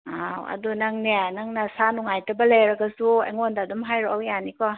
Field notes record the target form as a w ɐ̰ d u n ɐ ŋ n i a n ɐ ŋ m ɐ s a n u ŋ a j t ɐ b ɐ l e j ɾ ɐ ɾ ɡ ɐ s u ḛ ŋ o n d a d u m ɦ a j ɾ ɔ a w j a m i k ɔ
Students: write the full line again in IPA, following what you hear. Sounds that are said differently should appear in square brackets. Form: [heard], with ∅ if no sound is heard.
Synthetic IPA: a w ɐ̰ d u n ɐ ŋ n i a n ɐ ŋ [n] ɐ s a n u ŋ a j t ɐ b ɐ l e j ɾ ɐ [∅] ɡ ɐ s u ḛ ŋ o n d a d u m ɦ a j ɾ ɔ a w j a [n] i k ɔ